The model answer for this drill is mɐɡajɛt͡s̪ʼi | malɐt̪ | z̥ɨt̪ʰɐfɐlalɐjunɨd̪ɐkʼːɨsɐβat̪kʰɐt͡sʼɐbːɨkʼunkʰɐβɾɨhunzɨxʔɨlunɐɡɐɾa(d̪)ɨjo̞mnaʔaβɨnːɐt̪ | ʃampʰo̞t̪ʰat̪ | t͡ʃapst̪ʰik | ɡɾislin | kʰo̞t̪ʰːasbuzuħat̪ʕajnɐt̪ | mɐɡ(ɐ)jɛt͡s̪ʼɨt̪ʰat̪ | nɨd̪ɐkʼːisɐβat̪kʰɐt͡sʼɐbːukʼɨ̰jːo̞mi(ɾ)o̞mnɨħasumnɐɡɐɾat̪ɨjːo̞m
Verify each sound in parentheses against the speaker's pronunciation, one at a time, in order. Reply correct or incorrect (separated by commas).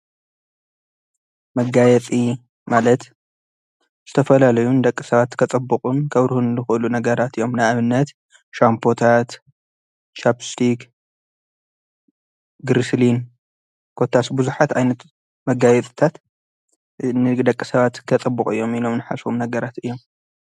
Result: incorrect, incorrect, incorrect